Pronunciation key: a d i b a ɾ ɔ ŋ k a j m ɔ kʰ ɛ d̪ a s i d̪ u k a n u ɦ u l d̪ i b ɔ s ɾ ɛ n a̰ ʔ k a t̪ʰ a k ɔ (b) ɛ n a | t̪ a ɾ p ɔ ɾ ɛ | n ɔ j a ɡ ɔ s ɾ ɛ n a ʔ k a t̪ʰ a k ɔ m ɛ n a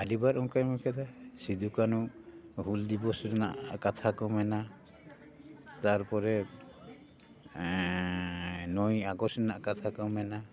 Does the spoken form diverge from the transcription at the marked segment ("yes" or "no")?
yes